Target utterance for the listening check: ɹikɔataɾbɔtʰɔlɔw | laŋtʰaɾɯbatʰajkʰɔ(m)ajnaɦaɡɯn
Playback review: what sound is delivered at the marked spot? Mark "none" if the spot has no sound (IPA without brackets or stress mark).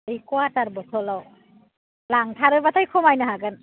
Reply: m